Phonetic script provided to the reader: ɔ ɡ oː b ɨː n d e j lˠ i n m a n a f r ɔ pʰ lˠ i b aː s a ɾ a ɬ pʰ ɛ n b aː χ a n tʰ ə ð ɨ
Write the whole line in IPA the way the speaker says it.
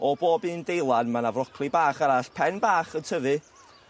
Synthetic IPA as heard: ɔ b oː b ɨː n d e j lˠ a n m a n a v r ɔ kʰ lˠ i b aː χ a ɾ a ɬ pʰ ɛ n b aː χ ə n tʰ ə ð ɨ